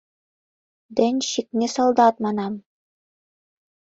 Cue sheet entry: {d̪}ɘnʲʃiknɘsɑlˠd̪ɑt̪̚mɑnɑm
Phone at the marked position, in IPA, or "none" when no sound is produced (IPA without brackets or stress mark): d̪